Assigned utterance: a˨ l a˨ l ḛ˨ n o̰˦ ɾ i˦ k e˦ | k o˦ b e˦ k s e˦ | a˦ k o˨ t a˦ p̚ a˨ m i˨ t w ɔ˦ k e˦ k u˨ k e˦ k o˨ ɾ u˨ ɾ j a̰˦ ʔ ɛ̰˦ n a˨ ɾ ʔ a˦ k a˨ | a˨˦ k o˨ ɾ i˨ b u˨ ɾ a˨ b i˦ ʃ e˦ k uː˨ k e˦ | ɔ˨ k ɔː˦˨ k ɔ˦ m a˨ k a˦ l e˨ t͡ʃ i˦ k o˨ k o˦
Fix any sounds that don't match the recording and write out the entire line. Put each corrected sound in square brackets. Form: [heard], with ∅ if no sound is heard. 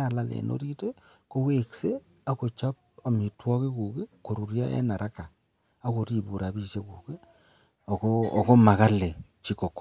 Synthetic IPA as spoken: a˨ l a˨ l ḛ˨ n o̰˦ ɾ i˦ [t] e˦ | k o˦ [w] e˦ k s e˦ | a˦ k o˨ [t͡ʃ] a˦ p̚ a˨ m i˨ t w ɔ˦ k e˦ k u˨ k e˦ k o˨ ɾ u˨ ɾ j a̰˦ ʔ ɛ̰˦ n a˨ ɾ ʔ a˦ k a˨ | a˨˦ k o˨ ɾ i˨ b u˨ ɾ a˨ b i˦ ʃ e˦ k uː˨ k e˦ | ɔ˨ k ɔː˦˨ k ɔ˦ m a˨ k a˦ l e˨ t͡ʃ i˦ k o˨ k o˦